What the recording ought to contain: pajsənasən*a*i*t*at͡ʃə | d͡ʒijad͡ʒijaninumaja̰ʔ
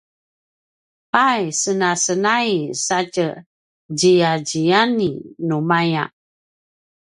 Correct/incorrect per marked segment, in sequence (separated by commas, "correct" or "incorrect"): correct, incorrect